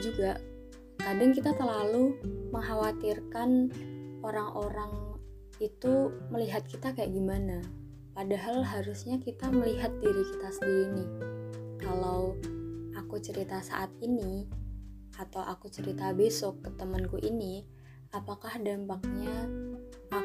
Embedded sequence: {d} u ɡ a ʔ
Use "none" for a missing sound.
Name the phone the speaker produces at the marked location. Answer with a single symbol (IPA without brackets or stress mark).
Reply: d͡ʒ